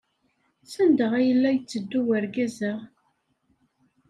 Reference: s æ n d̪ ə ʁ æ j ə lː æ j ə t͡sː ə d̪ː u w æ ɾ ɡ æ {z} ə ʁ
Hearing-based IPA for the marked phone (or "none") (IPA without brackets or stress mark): z